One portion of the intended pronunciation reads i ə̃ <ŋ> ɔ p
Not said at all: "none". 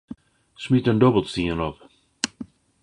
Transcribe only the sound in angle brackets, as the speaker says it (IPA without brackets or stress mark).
n